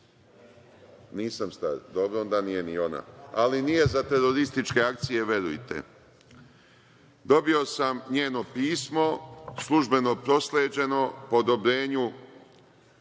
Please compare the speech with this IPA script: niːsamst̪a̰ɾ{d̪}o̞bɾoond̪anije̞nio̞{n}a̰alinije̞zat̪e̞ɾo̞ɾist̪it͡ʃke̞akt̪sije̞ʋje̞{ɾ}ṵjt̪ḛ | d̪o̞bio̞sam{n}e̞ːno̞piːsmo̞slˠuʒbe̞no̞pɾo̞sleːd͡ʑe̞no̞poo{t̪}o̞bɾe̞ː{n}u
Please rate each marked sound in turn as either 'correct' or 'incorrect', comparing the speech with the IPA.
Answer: correct, correct, correct, incorrect, incorrect, incorrect

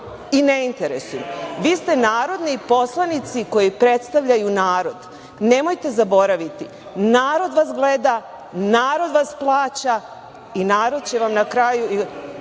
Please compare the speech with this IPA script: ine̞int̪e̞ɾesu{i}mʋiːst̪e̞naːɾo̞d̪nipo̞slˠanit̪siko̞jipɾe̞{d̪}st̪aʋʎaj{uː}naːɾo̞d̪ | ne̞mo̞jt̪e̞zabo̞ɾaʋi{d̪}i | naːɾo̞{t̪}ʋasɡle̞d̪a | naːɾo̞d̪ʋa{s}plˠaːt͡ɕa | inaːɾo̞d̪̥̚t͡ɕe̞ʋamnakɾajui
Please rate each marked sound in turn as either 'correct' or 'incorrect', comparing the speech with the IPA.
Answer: incorrect, incorrect, incorrect, incorrect, incorrect, correct

